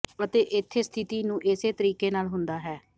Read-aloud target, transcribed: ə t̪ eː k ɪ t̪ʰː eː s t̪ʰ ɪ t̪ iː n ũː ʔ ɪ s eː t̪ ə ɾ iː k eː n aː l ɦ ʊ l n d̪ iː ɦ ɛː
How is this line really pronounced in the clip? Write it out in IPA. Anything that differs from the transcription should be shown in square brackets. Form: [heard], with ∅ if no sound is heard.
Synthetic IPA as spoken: ə t̪ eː [ʔ] ɪ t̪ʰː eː s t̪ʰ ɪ t̪ iː n ũː ʔ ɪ s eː t̪ ə ɾ iː k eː n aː l ɦ ʊ [∅] n d̪ [aː] ɦ ɛː